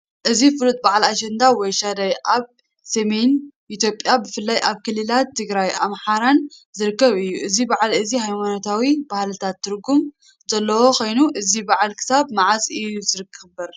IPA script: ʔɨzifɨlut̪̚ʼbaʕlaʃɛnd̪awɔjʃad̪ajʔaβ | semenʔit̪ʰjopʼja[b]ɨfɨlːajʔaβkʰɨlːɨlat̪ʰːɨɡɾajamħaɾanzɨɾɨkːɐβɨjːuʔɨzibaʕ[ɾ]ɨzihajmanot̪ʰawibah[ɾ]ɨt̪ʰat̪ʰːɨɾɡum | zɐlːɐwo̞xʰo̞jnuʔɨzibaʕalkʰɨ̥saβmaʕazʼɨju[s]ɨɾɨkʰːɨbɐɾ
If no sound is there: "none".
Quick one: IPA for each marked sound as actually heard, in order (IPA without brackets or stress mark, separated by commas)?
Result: b, l, l, z